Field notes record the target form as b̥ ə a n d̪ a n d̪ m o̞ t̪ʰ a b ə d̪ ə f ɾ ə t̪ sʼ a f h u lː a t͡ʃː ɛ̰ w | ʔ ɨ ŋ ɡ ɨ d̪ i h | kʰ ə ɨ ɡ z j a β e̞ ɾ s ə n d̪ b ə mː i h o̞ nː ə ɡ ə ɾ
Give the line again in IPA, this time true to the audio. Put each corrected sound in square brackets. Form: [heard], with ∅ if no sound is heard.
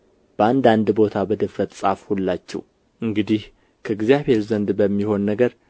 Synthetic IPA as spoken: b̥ ə a n d̪ a n d̪ [b] o̞ t̪ʰ a b ə d̪ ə f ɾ ə t̪ sʼ a f h u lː a t͡ʃː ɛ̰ w | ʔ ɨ ŋ ɡ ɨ d̪ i h | kʰ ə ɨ ɡ z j a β e̞ ɾ [z] ə n d̪ b ə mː i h o̞ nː ə ɡ ə ɾ

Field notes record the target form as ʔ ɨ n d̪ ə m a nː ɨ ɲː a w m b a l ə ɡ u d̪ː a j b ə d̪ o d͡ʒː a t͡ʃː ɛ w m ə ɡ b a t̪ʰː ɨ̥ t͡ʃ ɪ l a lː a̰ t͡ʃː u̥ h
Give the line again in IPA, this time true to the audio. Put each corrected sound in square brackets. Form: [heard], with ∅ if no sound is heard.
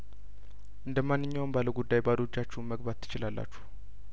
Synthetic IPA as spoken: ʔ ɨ n d̪ ə m a nː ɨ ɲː a w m b a l ə ɡ u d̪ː a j b [a] d̪ o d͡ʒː a t͡ʃː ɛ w m ə ɡ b a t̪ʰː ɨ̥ t͡ʃ ɪ l a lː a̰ t͡ʃː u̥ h

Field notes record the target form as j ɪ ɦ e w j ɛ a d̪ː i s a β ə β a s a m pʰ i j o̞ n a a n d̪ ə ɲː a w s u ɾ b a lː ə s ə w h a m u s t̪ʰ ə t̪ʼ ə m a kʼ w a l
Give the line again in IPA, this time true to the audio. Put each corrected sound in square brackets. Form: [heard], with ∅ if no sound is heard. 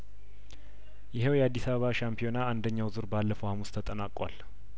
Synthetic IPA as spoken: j ɪ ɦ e w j ɛ a d̪ː i s a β ə β a [ʃ] a m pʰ i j o̞ n a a n d̪ ə ɲː a w [z] u ɾ b a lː ə [f] ə w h a m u s t̪ʰ ə t̪ʼ ə [n] a kʼ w a l

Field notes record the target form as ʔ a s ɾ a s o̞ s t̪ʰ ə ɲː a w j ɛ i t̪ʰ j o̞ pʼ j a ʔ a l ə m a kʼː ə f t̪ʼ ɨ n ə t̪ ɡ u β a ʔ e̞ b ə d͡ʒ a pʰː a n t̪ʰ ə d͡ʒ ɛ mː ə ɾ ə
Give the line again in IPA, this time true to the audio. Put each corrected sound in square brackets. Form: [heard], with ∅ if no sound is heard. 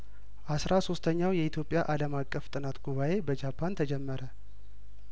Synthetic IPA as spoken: ʔ a s ɾ a s o̞ s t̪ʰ ə ɲː a w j ɛ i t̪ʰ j o̞ pʼ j a ʔ a l ə m a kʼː ə f t̪ʼ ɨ n [a] t̪ ɡ u β a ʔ e̞ b ə d͡ʒ a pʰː a n t̪ʰ ə d͡ʒ ɛ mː ə ɾ ə

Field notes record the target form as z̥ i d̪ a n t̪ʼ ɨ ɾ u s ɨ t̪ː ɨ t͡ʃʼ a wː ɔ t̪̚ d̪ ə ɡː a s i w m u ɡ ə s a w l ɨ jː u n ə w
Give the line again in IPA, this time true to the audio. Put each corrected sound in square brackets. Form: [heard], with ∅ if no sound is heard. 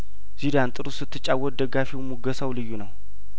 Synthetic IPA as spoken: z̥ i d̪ a n t̪ʼ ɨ ɾ u s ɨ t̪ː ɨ t͡ʃʼ a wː ɔ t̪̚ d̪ ə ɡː a [f] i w m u ɡ ə s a w l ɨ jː u n ə w

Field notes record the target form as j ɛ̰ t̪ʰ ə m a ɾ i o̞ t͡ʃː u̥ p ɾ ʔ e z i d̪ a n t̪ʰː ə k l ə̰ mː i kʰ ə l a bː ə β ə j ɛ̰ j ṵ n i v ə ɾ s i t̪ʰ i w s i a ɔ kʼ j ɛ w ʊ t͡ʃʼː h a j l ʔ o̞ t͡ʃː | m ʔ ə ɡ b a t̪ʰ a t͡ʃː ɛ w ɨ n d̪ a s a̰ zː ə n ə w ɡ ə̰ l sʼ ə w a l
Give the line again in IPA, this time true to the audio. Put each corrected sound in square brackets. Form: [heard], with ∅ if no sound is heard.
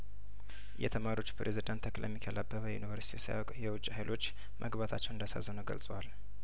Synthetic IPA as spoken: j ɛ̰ t̪ʰ ə m a ɾ i o̞ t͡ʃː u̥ p ɾ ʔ e z i d̪ a n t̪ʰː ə k l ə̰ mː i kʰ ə l a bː ə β ə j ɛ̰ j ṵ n i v ə ɾ s i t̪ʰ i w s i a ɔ kʼ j ɛ w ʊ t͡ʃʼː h a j l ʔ o̞ t͡ʃː | m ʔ ə ɡ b a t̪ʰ a t͡ʃː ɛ w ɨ n d̪ a s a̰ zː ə n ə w ɡ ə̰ l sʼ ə w a l

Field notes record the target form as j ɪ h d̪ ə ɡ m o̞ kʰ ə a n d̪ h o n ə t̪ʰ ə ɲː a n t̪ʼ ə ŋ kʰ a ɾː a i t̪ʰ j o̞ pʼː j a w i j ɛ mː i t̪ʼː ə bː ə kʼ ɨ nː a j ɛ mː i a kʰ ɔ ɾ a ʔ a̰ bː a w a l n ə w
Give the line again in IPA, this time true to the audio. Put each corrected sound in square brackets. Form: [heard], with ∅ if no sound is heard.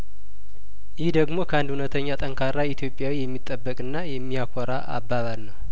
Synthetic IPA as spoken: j ɪ h d̪ ə ɡ m o̞ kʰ ə a n d̪ h [u] n ə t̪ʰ ə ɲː a [∅] t̪ʼ ə ŋ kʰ a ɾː a i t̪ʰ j o̞ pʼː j a w i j ɛ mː i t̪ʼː ə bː ə kʼ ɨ nː a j ɛ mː i a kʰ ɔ ɾ a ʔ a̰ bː a [β] a l n ə w

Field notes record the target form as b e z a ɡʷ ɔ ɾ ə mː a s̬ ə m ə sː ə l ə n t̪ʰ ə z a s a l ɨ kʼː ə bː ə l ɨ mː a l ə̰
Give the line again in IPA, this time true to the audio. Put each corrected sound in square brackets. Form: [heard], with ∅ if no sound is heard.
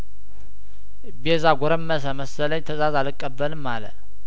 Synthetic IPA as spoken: b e z a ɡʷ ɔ ɾ ə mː [ə] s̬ ə m ə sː ə l ə [ɲ] t̪ʰ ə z a [z] a l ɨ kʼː ə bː ə l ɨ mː a l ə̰

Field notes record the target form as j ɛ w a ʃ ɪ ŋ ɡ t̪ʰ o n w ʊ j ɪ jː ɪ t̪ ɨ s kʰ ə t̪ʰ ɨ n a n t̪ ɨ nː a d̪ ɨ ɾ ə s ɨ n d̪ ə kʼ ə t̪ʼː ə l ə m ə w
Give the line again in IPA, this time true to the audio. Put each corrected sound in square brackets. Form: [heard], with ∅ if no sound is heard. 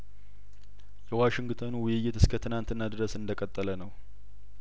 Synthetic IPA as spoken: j ɛ w a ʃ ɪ ŋ ɡ t̪ʰ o n w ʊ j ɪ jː ɪ t̪ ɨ s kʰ ə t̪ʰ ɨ n a n t̪ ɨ nː a d̪ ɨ ɾ ə s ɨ n d̪ ə kʼ ə t̪ʼː ə l ə [n] ə w

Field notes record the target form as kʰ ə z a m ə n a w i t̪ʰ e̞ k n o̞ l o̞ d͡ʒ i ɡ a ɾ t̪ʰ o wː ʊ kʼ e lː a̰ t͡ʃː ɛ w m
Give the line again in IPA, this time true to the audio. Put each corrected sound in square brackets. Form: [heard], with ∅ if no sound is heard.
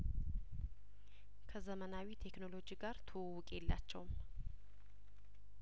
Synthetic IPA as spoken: kʰ ə z [ə] m ə n a w i t̪ʰ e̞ k n o̞ l o̞ d͡ʒ i ɡ a ɾ t̪ʰ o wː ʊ kʼ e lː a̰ t͡ʃː ɛ w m

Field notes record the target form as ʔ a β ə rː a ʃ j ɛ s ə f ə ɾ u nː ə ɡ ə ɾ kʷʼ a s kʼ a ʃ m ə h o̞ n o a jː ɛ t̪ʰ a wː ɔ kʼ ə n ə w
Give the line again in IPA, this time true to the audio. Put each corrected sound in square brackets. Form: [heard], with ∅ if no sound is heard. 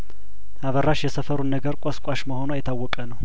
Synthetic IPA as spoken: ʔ a β ə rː a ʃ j ɛ s ə f ə ɾ u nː ə ɡ ə ɾ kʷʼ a s kʼ a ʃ m ə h o̞ n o a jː ɛ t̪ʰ a wː ɔ kʼ ə n ə w

